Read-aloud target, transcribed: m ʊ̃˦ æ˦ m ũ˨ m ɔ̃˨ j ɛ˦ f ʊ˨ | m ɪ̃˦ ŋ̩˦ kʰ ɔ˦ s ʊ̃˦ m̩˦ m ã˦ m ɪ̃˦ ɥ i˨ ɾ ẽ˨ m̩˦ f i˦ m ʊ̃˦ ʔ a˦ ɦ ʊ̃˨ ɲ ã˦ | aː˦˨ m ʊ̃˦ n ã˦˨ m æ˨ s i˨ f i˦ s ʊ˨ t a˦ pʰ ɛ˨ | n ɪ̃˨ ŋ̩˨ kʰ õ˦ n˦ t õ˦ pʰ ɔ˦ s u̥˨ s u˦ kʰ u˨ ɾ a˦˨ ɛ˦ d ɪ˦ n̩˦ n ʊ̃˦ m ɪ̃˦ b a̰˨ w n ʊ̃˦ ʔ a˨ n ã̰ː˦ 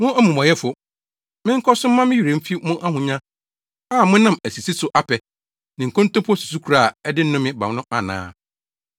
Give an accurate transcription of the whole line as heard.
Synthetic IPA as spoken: m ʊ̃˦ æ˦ m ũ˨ m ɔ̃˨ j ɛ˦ f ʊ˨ | m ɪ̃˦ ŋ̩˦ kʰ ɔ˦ s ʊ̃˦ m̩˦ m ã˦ m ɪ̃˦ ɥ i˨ ɾ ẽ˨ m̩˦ f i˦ m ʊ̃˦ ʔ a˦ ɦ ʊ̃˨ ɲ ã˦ | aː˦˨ m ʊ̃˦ n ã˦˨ m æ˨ s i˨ s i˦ s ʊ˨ ʔ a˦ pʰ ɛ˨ | n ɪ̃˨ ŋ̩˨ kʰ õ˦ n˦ t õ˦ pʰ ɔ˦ s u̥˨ s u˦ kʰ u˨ ɾ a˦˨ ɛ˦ d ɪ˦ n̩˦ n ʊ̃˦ m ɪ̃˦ b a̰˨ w n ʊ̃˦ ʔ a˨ n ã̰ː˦

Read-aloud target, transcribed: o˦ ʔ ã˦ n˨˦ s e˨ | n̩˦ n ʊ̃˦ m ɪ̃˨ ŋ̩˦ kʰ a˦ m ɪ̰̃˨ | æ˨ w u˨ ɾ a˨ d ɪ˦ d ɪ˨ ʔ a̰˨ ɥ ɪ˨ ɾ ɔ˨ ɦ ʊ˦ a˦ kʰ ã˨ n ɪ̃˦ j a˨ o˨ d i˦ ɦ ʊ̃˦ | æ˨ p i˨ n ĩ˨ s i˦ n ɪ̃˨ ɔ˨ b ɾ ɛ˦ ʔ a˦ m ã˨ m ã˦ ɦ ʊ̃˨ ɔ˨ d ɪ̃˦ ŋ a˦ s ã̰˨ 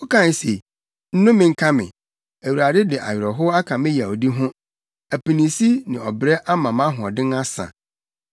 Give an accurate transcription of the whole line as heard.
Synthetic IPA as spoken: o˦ k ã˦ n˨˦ s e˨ | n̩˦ n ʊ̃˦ m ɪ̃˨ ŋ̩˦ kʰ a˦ m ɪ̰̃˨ | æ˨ w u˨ ɾ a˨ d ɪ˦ d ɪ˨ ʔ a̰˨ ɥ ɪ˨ ɾ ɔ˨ ɦ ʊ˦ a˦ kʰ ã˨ m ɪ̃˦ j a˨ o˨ d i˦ ɦ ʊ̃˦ | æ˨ p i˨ n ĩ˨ s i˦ n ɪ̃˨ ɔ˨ b ɾ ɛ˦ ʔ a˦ m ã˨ m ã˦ ɦ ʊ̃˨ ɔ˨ d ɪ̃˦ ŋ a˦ s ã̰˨

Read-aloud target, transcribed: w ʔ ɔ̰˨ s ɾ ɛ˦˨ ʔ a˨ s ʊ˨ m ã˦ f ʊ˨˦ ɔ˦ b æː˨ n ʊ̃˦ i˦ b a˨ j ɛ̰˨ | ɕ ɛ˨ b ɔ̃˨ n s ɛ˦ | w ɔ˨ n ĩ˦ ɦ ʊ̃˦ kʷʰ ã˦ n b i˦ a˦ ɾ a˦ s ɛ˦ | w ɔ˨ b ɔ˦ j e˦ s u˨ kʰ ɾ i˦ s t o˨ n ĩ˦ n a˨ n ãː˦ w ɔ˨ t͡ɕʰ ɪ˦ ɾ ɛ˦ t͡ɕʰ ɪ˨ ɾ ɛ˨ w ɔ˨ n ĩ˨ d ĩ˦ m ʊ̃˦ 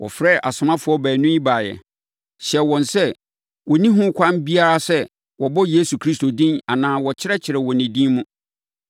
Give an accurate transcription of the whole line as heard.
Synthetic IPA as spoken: w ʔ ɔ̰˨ f ɾ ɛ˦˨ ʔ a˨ s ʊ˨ m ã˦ f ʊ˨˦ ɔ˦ b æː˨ n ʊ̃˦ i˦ b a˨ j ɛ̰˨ | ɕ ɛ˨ w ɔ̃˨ n s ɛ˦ | w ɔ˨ n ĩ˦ ɦ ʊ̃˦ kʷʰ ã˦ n b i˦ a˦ ɾ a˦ s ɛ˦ | w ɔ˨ b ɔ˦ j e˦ s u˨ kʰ ɾ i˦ s t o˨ d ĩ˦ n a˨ n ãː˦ w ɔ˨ t͡ɕʰ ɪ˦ ɾ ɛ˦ t͡ɕʰ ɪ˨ ɾ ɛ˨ w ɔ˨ n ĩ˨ d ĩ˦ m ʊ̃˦

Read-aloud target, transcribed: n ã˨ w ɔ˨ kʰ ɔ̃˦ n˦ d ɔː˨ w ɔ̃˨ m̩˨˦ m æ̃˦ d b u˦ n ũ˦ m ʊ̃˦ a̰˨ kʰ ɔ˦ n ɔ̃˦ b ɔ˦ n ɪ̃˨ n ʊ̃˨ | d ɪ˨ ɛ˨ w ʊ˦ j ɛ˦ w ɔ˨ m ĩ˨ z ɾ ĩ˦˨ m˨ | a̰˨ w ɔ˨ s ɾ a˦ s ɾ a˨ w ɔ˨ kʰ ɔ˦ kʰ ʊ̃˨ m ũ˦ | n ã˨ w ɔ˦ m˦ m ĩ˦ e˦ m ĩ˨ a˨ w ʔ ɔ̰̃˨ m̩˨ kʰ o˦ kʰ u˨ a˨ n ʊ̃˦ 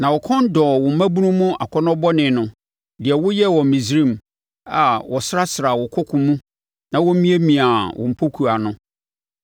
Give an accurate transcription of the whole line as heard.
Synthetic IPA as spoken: n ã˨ w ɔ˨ kʰ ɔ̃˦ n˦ d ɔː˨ w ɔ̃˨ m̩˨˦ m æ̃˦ b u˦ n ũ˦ m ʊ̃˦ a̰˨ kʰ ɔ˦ n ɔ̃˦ b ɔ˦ n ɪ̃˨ n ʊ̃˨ | d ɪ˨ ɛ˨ w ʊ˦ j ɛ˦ w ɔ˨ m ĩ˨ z ɾ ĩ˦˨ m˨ | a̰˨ w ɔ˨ s ɾ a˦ s ɾ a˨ w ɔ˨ kʰ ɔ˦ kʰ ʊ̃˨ m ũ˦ | n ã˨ w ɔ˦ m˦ m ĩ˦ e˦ m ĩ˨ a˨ w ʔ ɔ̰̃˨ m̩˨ pʰ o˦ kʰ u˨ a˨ n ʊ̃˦

